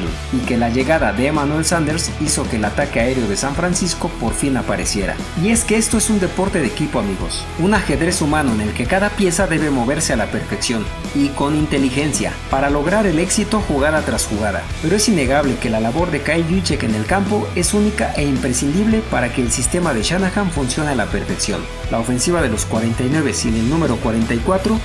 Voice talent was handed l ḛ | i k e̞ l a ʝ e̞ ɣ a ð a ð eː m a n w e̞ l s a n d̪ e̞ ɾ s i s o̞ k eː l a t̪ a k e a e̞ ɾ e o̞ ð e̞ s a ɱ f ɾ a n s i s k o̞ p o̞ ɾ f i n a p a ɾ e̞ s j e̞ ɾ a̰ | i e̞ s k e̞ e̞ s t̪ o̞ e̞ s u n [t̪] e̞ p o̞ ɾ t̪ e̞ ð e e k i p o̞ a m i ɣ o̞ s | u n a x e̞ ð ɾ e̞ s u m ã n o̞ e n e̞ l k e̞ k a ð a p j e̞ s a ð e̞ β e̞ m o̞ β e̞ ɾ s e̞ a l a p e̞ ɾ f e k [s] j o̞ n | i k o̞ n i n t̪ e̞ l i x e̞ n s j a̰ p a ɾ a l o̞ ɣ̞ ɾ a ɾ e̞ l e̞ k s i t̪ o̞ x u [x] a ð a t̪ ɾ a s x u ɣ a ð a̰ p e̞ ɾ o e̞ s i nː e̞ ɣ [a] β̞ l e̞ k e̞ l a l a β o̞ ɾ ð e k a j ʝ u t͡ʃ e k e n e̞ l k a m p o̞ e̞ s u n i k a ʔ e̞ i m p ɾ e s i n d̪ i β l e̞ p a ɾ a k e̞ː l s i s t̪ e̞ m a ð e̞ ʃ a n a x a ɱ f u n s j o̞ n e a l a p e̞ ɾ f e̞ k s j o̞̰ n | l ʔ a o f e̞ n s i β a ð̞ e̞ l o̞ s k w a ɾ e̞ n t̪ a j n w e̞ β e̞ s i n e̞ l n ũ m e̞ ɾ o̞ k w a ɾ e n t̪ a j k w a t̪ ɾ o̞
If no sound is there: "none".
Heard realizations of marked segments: d̪, s, ɣ, a

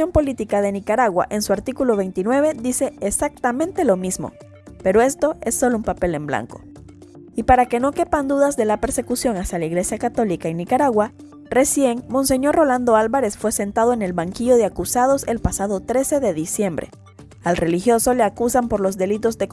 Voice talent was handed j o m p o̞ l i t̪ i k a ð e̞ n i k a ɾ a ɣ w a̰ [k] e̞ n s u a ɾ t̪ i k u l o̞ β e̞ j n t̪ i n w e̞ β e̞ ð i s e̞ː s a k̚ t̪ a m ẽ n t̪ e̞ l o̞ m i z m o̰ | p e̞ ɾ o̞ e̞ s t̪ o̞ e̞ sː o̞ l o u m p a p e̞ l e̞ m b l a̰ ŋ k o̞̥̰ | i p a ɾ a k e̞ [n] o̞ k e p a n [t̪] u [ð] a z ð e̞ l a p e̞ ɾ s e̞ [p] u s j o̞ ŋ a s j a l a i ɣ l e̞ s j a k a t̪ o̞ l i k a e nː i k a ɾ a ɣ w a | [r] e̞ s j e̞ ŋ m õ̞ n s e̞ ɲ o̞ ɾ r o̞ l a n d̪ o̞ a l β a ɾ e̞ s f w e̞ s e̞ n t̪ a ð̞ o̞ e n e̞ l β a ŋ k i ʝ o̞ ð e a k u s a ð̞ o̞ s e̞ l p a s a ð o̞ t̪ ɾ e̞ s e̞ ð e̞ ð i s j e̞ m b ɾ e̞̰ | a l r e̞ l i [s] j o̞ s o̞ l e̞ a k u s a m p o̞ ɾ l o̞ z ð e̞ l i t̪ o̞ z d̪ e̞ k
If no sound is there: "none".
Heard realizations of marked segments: ʔ, n, d̪, ð, k, r, x

